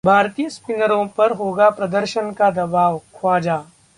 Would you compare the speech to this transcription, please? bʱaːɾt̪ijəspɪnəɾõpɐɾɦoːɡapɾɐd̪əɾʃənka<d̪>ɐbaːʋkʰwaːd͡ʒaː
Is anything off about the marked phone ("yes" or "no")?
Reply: no